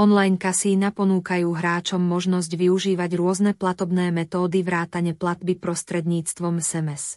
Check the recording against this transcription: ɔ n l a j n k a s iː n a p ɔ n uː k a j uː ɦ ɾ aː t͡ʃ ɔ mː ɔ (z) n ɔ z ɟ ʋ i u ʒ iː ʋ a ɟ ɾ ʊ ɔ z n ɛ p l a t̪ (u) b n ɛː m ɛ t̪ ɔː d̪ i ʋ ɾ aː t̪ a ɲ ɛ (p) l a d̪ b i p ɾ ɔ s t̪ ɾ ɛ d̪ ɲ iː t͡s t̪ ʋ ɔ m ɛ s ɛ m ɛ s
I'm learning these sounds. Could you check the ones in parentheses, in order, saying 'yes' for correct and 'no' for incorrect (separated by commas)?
no, no, yes